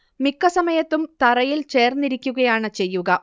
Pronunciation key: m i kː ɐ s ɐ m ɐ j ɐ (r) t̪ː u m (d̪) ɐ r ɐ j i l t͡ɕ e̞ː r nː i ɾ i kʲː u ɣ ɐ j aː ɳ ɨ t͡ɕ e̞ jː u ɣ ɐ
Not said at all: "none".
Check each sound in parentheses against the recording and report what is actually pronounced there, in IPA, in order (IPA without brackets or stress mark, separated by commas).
none, t̪